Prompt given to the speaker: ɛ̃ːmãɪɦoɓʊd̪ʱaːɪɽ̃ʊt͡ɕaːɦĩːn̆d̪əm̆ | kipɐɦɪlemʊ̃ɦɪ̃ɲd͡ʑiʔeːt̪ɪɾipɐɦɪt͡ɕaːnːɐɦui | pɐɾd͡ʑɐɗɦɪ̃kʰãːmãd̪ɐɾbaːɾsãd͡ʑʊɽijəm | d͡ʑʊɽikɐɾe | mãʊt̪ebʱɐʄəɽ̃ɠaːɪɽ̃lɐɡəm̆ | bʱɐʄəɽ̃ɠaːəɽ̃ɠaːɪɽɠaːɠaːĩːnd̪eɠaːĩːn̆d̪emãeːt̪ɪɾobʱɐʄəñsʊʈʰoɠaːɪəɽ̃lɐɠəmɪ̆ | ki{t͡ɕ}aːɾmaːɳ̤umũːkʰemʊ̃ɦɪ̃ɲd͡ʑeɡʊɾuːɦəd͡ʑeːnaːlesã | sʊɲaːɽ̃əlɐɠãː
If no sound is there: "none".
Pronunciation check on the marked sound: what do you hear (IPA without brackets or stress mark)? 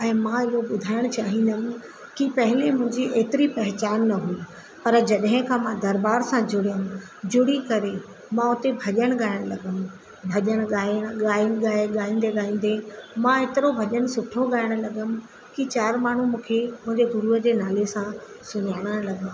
t͡ɕ